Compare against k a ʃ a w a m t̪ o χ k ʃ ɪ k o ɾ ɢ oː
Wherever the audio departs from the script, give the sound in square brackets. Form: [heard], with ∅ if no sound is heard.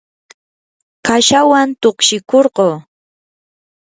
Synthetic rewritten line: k a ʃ a w a [n] t̪ o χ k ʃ ɪ k o ɾ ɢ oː